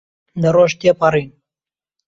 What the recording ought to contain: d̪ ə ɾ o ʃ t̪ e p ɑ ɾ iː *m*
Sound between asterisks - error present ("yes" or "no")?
yes